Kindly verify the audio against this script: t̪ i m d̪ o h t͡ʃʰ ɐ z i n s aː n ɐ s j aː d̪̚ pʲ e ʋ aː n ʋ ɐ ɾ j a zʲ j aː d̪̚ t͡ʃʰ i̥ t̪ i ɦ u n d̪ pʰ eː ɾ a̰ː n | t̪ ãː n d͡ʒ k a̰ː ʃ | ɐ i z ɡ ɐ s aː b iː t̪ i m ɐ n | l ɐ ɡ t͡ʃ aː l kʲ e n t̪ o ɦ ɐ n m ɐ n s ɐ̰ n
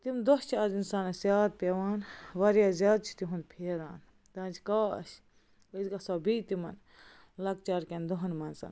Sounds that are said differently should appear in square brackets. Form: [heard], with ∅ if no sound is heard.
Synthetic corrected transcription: t̪ i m d̪ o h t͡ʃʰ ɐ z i n s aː n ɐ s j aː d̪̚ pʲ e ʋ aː n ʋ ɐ ɾ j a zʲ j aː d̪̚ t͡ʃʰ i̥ t̪ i ɦ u n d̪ pʰ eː ɾ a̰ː n | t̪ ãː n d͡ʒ k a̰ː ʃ | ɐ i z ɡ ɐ s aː b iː t̪ i m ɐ n | l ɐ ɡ t͡ʃ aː [ɾ] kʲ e n [d̪] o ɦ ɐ n m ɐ n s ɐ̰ n